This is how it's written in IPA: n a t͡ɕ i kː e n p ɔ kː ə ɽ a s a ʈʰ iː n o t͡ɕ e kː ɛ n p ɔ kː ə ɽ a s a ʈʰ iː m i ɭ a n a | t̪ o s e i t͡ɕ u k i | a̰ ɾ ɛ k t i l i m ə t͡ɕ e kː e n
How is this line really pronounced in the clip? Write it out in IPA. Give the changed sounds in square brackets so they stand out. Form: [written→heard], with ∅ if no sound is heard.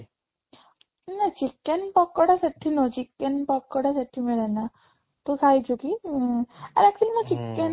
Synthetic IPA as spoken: n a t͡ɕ i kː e n p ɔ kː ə ɽ a s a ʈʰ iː n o t͡ɕ [e→i] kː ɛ n p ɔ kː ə ɽ a s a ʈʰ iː m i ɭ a n a | t̪ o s [e→a] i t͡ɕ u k i | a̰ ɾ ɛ k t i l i m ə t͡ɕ [e→i] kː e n